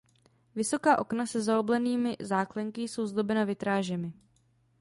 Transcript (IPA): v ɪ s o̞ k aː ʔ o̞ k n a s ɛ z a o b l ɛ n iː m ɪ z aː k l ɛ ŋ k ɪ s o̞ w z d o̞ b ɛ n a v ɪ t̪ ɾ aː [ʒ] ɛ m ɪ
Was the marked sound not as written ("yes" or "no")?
no